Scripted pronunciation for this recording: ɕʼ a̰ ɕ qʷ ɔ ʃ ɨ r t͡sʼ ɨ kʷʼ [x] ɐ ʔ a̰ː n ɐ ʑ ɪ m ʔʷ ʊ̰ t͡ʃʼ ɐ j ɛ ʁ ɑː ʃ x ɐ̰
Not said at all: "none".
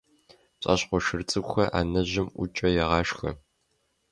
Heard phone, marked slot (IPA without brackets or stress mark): x